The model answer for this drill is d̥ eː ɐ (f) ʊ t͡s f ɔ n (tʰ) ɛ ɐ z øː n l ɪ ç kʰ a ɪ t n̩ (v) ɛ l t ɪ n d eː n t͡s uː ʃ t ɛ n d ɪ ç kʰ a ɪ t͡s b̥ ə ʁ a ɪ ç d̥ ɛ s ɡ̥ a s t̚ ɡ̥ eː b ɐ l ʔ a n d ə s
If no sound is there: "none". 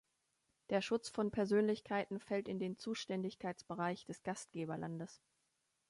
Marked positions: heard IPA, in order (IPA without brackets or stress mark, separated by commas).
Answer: ʃ, pʰ, f